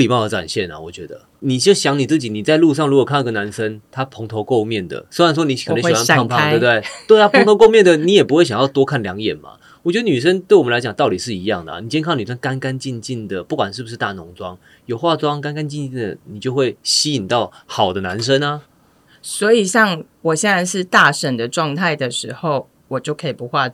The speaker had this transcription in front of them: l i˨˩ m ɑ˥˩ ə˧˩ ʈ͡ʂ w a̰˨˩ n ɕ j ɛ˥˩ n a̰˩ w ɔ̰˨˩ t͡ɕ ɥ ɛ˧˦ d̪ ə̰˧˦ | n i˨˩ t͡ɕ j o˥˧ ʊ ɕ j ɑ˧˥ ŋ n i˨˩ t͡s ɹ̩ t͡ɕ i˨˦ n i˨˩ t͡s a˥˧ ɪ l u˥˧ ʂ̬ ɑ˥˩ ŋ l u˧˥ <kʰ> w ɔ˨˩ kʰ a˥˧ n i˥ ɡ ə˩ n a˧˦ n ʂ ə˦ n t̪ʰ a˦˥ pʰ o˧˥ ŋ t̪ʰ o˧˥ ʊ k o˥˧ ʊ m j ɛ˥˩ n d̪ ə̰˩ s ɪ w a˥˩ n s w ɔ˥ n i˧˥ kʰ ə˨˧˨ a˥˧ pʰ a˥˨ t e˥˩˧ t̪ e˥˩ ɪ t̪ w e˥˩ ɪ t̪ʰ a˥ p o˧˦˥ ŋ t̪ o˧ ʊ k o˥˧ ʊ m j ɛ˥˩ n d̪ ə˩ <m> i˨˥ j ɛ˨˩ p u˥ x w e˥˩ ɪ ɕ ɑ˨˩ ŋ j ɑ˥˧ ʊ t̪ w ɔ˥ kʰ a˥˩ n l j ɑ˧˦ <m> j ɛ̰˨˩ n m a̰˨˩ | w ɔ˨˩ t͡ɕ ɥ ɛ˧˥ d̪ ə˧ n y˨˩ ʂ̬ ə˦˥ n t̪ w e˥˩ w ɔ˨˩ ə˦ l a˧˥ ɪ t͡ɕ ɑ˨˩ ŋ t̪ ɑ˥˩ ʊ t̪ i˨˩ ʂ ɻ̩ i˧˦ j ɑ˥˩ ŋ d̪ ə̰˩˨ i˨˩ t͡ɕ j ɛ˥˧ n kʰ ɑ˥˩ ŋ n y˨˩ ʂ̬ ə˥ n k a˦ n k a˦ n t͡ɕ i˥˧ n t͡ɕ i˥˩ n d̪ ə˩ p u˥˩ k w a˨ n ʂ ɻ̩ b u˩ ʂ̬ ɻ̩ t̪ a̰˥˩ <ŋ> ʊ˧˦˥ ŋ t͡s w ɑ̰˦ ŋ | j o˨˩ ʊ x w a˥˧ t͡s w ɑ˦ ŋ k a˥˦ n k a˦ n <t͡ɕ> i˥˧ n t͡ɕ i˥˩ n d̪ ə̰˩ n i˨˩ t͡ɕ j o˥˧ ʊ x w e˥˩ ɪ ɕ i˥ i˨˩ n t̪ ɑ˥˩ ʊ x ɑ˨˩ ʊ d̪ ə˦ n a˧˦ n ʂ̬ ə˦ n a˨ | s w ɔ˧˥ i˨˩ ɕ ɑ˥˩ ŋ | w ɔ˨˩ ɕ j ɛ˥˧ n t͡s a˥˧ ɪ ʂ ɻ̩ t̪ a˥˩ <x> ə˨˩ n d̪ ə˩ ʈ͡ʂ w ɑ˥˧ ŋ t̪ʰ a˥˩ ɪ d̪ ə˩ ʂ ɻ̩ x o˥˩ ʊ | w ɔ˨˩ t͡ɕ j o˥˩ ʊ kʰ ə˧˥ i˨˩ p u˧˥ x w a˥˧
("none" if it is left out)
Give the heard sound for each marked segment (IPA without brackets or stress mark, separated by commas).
k, n, ŋ, n, t͡ɕ, ʂ